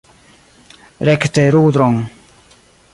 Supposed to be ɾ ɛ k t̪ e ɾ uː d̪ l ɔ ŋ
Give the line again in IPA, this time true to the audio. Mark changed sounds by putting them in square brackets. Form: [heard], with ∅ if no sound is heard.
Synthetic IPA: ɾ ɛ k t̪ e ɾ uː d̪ [ɾ] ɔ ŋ